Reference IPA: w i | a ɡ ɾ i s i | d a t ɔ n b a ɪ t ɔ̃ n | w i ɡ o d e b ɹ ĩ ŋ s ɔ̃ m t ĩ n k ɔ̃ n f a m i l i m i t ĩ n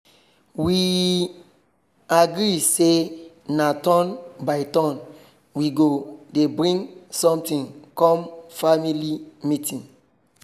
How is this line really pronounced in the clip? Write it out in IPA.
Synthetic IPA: w i | a ɡ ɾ i s e | n a t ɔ n b a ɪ t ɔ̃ n | w i ɡ o d e b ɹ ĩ ŋ s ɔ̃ m t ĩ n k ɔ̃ m f a m i l i m i t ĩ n

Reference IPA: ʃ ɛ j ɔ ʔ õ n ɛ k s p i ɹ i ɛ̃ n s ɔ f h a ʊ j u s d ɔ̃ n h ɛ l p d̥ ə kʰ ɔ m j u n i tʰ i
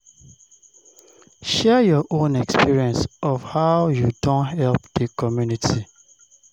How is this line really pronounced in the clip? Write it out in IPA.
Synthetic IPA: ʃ ɛ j ɔ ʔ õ n ɛ k s p i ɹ i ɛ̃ n s ɔ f h a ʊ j u d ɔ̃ n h ɛ l p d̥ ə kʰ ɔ m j u n i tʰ i

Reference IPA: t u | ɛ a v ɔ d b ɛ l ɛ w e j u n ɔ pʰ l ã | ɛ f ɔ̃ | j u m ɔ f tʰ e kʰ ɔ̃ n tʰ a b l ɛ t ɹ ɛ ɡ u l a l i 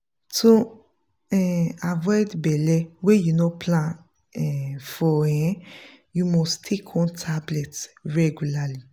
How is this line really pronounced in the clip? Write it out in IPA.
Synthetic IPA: t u | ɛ a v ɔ d b ɛ l ɛ w e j u n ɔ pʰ l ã | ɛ f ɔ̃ | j u m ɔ s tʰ e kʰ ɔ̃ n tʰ a b l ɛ t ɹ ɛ ɡ u l a l i

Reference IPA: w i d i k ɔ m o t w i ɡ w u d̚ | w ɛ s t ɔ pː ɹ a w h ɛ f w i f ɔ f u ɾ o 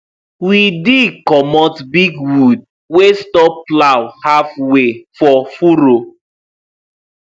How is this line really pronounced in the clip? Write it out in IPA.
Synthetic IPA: w i d i k ɔ m ɔ t b i ɡ w u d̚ | w e s t ɔ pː l a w h a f w e f ɔ f u ɾ o

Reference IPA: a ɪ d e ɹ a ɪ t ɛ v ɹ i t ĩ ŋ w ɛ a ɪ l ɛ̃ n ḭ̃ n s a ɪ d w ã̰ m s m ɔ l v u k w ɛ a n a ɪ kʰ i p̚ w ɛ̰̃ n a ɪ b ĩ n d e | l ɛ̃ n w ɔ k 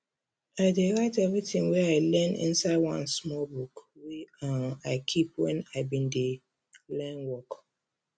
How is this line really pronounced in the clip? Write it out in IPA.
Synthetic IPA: a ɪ d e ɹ a ɪ t ɛ v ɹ i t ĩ ŋ w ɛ a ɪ l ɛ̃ n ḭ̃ n s a ɪ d w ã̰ n s m ɔ l b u k w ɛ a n a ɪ kʰ i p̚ w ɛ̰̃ n a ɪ b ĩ n d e | l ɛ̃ n w ɔ k

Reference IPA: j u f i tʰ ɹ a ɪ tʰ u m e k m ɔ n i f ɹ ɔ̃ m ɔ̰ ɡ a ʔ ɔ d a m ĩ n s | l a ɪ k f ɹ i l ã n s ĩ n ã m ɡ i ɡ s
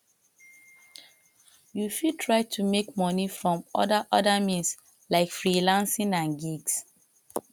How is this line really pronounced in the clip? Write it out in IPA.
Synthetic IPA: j u f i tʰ ɹ a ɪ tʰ u m e k m ɔ n i f ɹ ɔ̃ m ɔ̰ d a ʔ ɔ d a m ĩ n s | l a ɪ k f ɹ i l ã n s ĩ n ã n ɡ i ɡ s

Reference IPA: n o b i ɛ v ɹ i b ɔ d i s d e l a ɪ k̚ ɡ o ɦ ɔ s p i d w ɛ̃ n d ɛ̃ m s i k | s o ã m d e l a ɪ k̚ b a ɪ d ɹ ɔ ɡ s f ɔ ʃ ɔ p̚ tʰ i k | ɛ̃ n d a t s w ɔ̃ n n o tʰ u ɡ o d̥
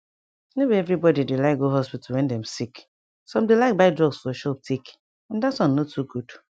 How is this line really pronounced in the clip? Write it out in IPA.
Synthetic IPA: n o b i ɛ v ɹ i b ɔ d i d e l a ɪ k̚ ɡ o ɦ ɔ s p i t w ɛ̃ n d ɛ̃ m s i k | s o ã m d e l a ɪ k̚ b a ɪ d ɹ ɔ ɡ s f ɔ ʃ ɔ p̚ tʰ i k | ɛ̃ n d a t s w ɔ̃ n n o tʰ u ɡ u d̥

